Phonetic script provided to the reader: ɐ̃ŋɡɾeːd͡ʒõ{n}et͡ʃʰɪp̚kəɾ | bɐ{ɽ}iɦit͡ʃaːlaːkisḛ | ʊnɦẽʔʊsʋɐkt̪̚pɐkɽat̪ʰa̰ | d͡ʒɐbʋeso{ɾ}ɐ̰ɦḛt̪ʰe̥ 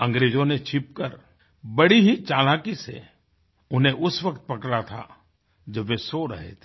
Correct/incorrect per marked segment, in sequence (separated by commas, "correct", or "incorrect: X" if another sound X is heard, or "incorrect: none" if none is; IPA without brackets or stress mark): correct, correct, correct